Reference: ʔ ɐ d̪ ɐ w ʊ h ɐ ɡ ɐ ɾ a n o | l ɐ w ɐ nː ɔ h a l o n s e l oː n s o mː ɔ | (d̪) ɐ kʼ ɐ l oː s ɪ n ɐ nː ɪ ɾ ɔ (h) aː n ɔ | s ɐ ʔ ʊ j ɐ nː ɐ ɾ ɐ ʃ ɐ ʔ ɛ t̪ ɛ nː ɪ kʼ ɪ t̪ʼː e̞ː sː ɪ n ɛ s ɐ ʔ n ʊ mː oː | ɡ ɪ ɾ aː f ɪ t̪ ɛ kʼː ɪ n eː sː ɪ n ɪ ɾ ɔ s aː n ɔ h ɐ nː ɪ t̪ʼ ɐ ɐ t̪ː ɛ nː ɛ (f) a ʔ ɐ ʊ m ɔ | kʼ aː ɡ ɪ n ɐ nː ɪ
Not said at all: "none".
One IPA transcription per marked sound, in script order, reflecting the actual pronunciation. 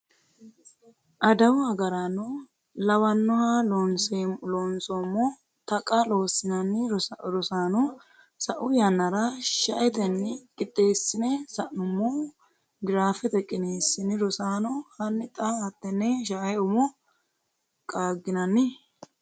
t̪, s, ʃ

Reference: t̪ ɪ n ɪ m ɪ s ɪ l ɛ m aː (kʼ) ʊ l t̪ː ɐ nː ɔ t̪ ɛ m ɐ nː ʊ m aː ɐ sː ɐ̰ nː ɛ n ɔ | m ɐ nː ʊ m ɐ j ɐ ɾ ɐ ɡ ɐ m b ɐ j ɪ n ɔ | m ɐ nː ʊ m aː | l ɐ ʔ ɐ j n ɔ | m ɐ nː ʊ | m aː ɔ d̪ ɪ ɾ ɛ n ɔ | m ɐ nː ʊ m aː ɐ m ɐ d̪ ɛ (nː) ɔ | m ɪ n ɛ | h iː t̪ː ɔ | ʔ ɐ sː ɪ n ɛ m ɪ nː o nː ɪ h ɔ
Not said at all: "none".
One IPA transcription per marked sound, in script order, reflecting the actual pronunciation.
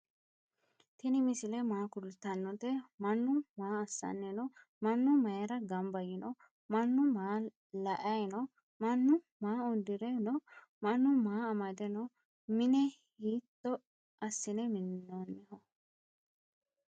k, n

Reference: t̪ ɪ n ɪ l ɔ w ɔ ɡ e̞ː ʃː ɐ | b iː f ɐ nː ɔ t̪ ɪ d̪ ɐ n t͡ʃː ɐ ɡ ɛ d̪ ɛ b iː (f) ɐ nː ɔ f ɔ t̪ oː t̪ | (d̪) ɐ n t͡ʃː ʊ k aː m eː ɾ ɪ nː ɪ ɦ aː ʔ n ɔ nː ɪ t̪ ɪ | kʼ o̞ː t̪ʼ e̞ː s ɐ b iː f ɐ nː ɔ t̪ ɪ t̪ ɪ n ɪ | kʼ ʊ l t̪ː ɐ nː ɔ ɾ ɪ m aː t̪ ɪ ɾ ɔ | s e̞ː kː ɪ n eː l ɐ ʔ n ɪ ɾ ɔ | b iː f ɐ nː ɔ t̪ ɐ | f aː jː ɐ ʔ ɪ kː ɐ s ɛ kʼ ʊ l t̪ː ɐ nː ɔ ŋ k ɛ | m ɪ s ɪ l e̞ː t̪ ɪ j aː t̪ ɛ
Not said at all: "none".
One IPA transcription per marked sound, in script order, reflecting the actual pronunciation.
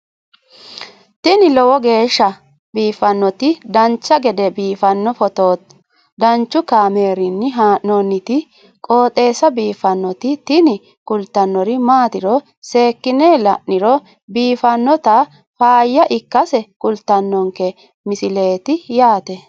f, d̪

